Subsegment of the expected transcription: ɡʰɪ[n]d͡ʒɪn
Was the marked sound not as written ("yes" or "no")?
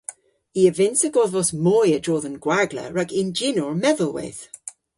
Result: no